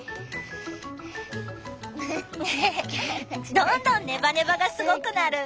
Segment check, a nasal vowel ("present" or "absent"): present